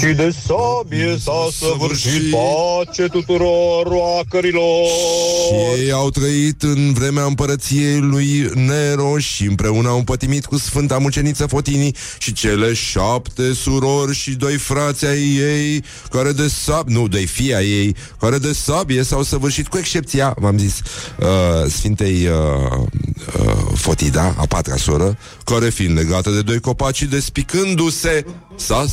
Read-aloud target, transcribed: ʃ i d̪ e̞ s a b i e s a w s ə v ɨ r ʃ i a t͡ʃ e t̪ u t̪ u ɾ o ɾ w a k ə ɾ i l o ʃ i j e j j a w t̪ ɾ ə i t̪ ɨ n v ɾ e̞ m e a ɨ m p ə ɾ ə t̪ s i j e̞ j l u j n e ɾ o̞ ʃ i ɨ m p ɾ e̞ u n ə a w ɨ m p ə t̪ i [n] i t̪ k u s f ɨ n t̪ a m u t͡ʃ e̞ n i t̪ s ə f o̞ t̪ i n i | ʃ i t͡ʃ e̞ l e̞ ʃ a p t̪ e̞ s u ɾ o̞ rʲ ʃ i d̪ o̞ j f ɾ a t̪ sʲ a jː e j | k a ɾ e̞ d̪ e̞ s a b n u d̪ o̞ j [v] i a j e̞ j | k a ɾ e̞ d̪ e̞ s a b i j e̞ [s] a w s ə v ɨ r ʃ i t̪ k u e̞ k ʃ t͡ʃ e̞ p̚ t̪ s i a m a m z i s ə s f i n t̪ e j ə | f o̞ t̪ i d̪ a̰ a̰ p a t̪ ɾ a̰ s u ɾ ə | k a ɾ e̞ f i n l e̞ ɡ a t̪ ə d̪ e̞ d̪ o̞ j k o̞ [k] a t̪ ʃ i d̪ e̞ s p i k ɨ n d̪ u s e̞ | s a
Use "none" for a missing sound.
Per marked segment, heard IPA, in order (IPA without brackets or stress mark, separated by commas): m, f, s, p